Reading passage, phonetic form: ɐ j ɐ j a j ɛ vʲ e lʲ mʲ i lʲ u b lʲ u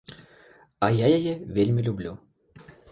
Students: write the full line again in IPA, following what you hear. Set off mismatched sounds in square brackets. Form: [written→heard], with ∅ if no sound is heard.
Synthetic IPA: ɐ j [ɐ→a] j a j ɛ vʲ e lʲ mʲ i lʲ u b lʲ u